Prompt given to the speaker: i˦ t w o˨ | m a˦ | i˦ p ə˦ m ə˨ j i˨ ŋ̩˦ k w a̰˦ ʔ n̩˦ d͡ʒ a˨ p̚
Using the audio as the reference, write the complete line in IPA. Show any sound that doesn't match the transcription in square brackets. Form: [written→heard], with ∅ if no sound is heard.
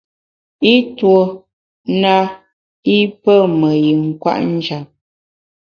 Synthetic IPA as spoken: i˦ t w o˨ | [m→n] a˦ | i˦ p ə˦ m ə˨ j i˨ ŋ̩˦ k w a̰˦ ʔ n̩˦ d͡ʒ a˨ p̚